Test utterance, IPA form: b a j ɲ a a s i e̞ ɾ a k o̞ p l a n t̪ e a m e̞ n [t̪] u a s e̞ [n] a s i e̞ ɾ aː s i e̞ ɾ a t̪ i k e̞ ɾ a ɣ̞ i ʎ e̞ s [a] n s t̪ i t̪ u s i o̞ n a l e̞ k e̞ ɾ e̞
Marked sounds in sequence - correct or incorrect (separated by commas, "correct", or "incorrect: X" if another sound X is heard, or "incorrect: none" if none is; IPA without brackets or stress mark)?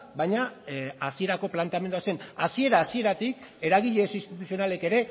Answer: incorrect: d̪, correct, incorrect: i